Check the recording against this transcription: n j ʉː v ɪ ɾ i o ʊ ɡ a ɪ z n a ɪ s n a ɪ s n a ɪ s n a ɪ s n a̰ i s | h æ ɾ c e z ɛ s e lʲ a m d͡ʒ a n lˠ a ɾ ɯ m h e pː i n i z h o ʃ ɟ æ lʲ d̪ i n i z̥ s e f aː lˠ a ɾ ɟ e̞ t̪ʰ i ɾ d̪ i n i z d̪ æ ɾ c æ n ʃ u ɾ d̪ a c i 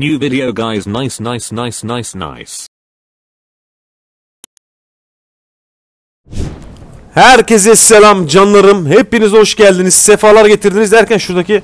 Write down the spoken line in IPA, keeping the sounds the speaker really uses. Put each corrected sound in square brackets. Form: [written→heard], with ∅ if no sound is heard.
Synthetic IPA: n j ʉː v ɪ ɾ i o ʊ ɡ a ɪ z n a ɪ s n a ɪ s n a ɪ s n a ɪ s n a̰ [i→ɪ] s | h æ ɾ c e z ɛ s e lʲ a m d͡ʒ a n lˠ a ɾ ɯ m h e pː i n i z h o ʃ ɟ æ lʲ d̪ i n i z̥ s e f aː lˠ a ɾ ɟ e̞ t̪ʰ i ɾ d̪ i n i z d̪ æ ɾ c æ n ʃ u ɾ d̪ a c i